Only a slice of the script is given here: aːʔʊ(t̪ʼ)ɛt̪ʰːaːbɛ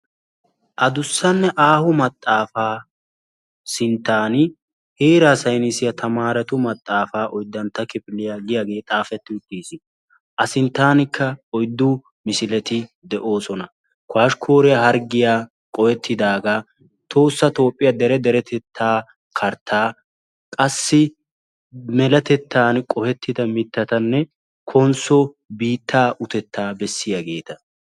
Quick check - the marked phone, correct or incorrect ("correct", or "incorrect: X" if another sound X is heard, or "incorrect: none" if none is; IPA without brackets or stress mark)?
incorrect: t̪